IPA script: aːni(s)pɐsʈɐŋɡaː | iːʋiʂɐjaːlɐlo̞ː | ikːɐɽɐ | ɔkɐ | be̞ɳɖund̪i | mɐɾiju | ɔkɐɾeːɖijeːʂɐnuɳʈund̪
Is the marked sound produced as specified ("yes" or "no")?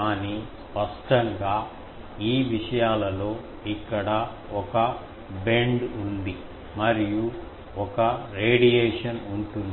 yes